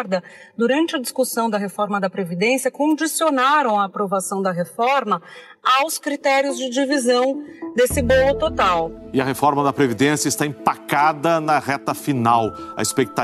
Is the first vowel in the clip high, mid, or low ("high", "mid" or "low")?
low